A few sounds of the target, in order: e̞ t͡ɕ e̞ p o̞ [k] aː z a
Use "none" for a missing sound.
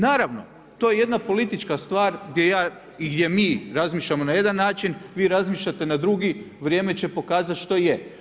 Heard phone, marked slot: k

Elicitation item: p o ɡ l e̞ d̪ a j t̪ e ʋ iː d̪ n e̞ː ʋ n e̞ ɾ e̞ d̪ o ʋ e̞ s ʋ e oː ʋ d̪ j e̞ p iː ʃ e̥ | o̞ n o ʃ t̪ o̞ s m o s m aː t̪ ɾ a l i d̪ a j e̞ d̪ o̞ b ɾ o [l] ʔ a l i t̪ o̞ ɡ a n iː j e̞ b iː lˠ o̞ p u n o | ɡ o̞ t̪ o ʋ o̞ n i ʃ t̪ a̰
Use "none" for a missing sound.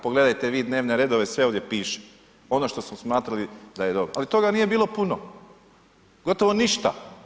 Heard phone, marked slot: none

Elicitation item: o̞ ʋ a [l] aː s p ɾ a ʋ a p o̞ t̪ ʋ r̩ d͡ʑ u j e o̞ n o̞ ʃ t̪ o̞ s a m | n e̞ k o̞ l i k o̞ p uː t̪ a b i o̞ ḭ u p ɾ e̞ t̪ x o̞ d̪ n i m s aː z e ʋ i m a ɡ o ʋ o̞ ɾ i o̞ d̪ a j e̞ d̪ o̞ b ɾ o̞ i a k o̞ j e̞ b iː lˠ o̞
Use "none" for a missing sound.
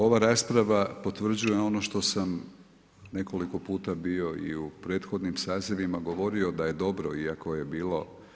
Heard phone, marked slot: ɾ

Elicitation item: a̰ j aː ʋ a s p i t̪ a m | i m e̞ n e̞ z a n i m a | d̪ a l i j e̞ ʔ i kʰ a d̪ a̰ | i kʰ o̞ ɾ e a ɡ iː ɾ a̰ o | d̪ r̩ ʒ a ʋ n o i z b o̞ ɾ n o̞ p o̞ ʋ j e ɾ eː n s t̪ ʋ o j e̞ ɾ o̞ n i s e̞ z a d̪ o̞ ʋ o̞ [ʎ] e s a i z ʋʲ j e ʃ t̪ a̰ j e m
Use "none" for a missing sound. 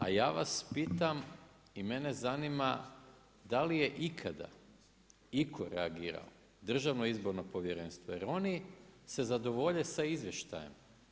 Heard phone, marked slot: ʎ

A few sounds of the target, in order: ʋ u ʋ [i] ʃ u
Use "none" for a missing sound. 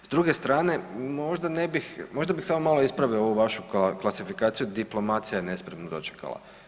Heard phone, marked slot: a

